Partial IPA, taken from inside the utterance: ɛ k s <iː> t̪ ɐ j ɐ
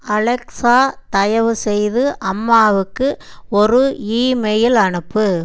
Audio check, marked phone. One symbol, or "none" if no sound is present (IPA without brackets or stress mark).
aː